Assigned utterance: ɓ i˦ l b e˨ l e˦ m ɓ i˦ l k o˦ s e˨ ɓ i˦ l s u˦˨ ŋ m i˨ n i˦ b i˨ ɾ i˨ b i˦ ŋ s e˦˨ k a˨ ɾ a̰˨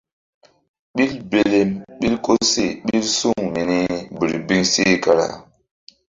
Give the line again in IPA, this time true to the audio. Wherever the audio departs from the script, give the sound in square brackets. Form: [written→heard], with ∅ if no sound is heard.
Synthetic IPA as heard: ɓ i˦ l b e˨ l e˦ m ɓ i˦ l k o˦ s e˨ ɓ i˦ l s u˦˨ ŋ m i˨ n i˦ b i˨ ɾ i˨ b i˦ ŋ s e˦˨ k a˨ ɾ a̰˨

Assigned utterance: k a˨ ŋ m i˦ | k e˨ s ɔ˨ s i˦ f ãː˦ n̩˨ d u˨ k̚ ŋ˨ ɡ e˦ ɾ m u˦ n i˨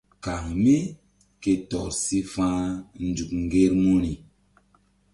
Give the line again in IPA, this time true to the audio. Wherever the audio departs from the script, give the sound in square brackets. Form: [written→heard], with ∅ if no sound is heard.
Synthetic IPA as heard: k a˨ ŋ m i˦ | k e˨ [s→t] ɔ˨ s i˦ f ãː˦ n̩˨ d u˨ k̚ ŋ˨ ɡ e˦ ɾ m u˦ n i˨

